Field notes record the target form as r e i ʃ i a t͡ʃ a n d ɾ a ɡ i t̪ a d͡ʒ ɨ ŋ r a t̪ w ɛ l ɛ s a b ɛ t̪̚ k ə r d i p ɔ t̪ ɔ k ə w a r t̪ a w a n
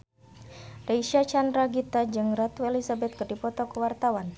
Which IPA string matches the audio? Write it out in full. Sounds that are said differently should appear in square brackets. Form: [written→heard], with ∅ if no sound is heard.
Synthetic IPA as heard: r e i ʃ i a t͡ʃ a n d ɾ a ɡ i t̪ a d͡ʒ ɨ ŋ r a t̪ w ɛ l [ɛ→i] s a b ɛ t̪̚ k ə r d i p ɔ t̪ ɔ k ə w a r t̪ a w a n